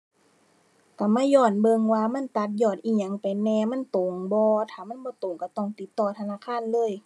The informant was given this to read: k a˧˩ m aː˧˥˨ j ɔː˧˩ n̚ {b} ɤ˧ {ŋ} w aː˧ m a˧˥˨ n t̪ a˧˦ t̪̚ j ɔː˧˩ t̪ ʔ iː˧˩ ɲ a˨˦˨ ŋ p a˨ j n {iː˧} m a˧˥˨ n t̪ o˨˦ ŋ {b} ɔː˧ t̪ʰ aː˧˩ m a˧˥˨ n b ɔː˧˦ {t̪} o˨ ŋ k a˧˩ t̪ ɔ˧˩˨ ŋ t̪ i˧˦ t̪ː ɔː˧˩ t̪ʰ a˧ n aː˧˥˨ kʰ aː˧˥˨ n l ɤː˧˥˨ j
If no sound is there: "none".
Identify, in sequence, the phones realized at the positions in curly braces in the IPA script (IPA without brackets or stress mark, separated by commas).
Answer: b, ŋ, ɛː˧, b, t̪